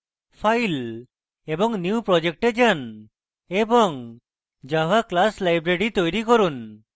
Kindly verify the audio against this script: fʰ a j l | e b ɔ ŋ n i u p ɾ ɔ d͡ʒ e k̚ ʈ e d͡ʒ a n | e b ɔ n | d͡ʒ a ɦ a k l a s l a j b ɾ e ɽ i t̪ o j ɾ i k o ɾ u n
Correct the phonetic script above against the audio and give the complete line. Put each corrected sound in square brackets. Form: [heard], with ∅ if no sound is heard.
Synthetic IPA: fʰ a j l | e b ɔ ŋ n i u p ɾ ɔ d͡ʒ e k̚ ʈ e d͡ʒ a n | e b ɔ [ŋ] | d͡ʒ a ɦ a k l a s l a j b ɾ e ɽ i t̪ o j ɾ i k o ɾ u n